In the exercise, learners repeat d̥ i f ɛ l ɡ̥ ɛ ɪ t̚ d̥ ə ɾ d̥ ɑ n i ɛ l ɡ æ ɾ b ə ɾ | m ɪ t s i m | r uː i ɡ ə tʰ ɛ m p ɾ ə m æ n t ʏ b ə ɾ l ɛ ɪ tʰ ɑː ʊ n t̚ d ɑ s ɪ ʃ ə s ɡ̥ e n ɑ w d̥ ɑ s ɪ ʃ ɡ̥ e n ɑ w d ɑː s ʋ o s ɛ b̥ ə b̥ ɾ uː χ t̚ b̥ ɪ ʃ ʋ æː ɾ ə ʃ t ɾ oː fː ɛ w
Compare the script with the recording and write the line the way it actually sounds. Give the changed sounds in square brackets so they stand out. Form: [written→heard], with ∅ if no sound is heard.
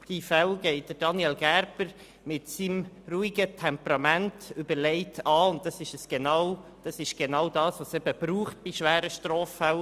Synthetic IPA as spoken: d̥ i f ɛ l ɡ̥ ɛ ɪ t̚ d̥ ə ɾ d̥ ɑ n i ɛ l ɡ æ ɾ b ə ɾ | m ɪ t s i m | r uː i ɡ ə tʰ ɛ m p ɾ [ə→ɑ] m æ n t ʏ b ə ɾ l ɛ ɪ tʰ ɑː ʊ n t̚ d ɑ s ɪ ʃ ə s ɡ̥ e n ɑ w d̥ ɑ s ɪ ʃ ɡ̥ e n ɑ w d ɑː s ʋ o s ɛ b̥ ə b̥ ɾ uː χ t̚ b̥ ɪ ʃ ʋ æː ɾ ə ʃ t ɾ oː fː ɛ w

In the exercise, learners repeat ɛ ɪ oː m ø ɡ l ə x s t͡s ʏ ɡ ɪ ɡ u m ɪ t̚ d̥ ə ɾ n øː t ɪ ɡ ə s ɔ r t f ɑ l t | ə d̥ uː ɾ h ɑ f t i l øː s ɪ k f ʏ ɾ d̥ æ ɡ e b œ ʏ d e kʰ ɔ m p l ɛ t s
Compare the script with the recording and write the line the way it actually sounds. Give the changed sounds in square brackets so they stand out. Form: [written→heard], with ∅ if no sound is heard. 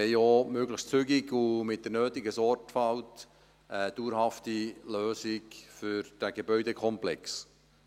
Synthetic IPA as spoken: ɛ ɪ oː m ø ɡ l ə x s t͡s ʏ ɡ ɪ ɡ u m ɪ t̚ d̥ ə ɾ n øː t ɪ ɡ ə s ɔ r t f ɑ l t | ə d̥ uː ɾ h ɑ f t i l øː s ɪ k f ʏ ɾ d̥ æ ɡ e b œ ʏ d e kʰ ɔ m p l ɛ [t→k] s

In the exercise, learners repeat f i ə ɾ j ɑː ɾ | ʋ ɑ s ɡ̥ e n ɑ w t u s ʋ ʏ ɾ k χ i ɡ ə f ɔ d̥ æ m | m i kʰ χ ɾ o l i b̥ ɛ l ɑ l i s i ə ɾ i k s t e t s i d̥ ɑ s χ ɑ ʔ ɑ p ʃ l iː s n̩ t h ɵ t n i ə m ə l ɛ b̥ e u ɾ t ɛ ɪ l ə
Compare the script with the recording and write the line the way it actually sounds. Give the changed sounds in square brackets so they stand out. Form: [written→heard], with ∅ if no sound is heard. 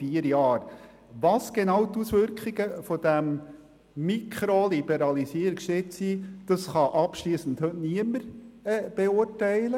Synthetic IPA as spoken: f i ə ɾ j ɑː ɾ | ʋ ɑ s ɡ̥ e n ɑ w t u s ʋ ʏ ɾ k χ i ɡ ə f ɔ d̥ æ m | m i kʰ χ ɾ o l i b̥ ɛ [l→ɾ] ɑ l i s i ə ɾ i k [s→ʃ] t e t s i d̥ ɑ s χ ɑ ʔ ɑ p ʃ l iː s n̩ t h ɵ t n i ə m ə [l→ɾ] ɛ b̥ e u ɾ t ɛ ɪ l ə

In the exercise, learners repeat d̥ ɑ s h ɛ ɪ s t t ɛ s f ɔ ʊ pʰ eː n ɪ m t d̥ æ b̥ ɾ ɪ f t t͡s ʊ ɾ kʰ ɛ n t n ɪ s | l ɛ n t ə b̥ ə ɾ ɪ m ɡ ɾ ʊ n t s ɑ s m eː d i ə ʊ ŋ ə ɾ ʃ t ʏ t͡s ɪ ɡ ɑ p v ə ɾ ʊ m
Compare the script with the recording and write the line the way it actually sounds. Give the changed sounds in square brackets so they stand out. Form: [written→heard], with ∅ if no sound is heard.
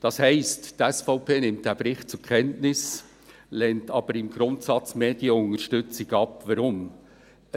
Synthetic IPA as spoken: d̥ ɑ s h ɛ ɪ s t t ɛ s f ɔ ʊ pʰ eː n ɪ m t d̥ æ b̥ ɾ ɪ [f→χ] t t͡s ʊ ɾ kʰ ɛ n t n ɪ s | l ɛ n t [ə→ɑ] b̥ ə ɾ ɪ m ɡ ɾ ʊ n t s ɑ [s→t͡s] m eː d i ə ʊ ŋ ə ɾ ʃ t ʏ t͡s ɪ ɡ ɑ p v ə ɾ ʊ m

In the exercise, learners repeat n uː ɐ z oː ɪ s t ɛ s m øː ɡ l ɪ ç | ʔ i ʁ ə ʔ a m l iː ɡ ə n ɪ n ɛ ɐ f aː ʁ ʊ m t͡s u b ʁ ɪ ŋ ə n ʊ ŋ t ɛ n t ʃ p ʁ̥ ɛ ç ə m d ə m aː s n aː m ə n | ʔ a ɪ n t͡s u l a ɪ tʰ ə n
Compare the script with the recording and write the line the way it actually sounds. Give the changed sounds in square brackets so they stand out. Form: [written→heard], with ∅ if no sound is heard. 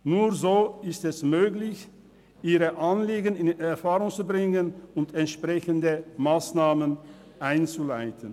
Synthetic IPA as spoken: n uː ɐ z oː ɪ s t ɛ s m øː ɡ l ɪ ç | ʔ [i→iː] ʁ ə ʔ a [m→n] l iː ɡ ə n ɪ n ɛ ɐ f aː ʁ ʊ [m→ŋ] t͡s u b ʁ ɪ ŋ ə n ʊ [ŋ→n] t ɛ n t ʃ p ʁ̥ ɛ ç ə [m→n] d ə m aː s n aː m ə n | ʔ a ɪ n t͡s u l a ɪ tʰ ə n

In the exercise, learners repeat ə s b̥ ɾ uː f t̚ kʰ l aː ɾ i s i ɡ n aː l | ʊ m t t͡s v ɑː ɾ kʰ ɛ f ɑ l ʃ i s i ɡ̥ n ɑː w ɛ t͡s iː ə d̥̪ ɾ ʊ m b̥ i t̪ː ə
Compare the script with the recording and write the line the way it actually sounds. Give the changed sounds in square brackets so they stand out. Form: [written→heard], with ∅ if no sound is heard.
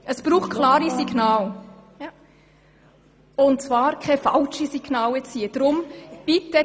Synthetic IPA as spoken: ə s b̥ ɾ uː [f→χ] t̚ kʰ l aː ɾ i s i ɡ n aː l | ʊ [m→n] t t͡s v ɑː ɾ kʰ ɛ f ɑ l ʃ i s i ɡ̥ n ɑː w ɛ t͡s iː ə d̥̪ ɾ ʊ m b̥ i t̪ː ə

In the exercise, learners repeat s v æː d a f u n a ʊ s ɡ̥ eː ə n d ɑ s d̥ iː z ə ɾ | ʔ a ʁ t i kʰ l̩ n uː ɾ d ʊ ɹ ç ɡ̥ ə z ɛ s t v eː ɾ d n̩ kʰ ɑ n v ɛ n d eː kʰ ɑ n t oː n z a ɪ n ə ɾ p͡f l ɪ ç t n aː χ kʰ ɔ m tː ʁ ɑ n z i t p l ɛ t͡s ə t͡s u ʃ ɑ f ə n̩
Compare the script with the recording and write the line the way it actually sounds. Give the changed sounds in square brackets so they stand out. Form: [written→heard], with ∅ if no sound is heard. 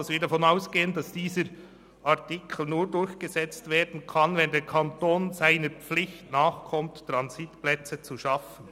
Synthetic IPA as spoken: s v [æː→iː] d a f [u→ɔ] n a ʊ s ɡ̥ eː ə n d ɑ s d̥ iː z ə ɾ | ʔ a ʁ t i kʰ l̩ n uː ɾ d ʊ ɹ ç ɡ̥ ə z ɛ [s→t͡s] t v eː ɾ d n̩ kʰ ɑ n v ɛ n d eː kʰ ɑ n t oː n z a ɪ n ə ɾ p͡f l ɪ ç t n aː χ kʰ ɔ m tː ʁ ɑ n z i t p l ɛ t͡s ə t͡s u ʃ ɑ f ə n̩

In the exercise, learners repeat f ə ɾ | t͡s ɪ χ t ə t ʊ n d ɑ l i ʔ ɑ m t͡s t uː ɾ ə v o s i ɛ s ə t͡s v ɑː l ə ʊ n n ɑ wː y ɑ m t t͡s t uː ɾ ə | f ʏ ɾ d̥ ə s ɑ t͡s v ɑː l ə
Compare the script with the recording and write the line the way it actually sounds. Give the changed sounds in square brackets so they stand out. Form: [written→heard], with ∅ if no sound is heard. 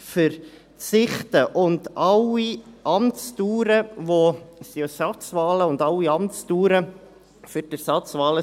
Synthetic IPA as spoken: f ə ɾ | t͡s ɪ χ t ə [t→ʔ] ʊ n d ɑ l i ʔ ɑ m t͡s t uː ɾ ə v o s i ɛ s [ə→ɑ] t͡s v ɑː l ə ʊ n [n→d] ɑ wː [y→i] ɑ m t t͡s t uː ɾ ə | f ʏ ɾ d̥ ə s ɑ t͡s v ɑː l ə

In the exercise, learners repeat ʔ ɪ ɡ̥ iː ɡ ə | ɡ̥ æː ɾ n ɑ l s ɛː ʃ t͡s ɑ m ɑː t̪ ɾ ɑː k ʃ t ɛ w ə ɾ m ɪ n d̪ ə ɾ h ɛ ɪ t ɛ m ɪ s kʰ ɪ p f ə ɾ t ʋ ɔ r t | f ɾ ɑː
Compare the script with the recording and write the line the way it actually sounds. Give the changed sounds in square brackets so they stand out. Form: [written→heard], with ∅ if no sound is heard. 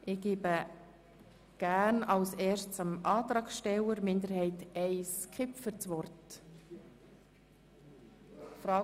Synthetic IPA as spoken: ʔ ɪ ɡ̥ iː [ɡ→b] ə | ɡ̥ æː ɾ n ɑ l s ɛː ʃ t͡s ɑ m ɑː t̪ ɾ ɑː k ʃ t ɛ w ə ɾ m ɪ n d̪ ə ɾ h ɛ ɪ t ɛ [m→∅] ɪ s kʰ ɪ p f ə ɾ [t→t͡s] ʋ ɔ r t | f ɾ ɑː

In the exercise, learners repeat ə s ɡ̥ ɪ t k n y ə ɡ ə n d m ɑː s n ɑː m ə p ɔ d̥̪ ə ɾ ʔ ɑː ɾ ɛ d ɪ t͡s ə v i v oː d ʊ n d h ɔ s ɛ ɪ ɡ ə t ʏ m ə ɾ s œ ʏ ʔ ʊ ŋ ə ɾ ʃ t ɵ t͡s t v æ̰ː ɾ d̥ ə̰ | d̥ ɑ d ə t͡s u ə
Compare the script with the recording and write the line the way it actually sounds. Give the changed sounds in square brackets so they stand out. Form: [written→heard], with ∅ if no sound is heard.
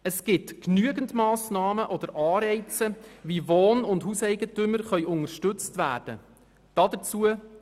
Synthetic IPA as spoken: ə s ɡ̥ ɪ t k n y ə ɡ ə n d m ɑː s n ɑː m ə [p→ʔ] ɔ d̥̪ ə ɾ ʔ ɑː ɾ ɛ [d→∅] ɪ t͡s ə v i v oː [d→n] ʊ n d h [ɔ→u] s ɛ ɪ ɡ ə t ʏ m ə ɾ [s→χ] œ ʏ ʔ ʊ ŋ ə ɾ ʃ t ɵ t͡s t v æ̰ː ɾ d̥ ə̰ | d̥ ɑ d ə t͡s u ə

